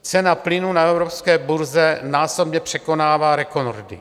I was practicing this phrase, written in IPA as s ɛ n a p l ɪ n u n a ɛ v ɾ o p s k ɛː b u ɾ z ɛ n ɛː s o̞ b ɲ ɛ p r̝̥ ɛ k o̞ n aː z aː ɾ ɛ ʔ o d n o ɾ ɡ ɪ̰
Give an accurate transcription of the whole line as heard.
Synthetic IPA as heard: t͡s ɛ n a p l ɪ n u n a ɛ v ɾ o p s k ɛː b u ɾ z ɛ n aː s o̞ b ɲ ɛ p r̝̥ ɛ k o̞ n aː v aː ɾ ɛ k o n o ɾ d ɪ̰